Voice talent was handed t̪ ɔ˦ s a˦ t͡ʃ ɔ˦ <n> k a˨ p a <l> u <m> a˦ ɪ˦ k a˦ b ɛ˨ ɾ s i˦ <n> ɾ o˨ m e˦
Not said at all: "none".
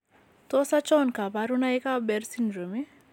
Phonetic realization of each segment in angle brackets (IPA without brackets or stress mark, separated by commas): n, ɾ, n, n